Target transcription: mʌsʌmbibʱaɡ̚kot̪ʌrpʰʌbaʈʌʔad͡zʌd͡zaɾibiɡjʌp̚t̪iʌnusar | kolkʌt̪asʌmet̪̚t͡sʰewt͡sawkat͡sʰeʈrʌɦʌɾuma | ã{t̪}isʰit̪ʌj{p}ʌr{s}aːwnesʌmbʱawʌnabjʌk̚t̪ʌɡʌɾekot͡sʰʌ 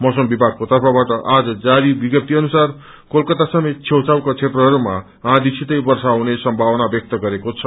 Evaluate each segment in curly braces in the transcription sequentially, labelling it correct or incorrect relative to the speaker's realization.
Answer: incorrect, incorrect, correct

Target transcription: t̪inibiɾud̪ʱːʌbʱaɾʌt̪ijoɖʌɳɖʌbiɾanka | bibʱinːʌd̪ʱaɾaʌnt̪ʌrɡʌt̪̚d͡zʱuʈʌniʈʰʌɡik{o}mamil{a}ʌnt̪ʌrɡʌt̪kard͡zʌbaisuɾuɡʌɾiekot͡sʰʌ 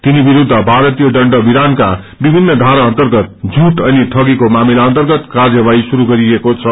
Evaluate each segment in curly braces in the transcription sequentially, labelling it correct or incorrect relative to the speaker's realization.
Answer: correct, correct

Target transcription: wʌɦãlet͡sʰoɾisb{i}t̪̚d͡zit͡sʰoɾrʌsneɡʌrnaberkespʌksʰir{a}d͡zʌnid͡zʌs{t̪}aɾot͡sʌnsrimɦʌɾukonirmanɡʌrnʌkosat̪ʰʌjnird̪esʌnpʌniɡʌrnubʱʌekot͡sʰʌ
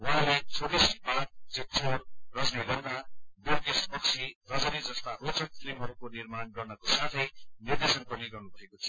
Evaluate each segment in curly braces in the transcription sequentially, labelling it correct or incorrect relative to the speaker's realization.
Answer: incorrect, incorrect, correct

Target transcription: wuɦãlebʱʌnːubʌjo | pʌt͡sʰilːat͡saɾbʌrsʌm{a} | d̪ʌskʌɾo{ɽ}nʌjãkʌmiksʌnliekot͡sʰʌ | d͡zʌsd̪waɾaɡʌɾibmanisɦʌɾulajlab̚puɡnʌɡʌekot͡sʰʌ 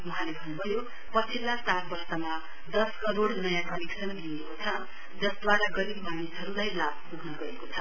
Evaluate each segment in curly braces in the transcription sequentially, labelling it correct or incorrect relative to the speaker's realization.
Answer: correct, correct

